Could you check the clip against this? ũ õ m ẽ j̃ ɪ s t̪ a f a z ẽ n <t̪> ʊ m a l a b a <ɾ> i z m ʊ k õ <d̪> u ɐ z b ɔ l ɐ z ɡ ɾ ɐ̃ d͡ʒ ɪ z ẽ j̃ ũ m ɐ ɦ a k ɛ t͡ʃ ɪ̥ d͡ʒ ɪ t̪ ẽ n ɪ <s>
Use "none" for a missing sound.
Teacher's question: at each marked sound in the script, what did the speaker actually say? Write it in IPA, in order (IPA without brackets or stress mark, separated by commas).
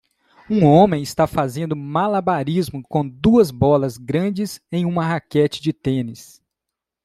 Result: d̪, ɾ, d̪, s